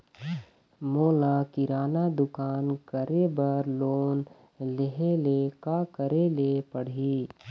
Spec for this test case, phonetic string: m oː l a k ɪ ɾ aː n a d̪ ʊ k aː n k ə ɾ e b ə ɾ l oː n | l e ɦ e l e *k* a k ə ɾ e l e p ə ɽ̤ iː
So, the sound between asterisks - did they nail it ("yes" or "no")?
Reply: yes